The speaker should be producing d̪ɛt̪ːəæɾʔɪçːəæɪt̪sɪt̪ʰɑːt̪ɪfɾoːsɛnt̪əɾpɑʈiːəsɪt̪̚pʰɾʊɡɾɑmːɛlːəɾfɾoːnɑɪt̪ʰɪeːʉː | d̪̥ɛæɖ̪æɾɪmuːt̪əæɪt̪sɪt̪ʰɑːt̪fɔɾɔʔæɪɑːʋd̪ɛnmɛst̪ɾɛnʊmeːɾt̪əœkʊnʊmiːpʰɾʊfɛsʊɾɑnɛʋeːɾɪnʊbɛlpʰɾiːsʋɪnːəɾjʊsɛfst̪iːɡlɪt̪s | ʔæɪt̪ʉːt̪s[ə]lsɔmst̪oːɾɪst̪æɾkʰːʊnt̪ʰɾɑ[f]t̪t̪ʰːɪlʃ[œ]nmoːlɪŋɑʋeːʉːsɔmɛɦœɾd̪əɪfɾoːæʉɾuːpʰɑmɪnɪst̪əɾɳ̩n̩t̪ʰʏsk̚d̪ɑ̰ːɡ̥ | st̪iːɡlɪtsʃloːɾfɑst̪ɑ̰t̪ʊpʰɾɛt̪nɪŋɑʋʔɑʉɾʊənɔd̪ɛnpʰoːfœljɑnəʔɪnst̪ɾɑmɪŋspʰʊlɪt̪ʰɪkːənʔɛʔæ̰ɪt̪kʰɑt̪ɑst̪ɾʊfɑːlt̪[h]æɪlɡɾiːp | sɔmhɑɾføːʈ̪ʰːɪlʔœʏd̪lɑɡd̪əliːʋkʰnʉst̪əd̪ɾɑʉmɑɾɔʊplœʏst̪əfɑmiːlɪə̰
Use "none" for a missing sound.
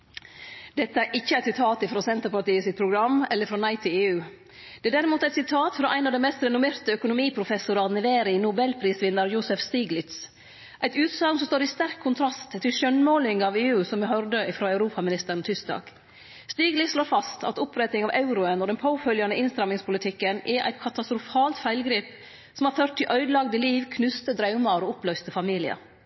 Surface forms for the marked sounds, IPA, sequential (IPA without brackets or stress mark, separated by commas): ɑ, s, œ, f